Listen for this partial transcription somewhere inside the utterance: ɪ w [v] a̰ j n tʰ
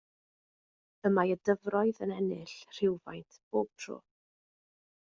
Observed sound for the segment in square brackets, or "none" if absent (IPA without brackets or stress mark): v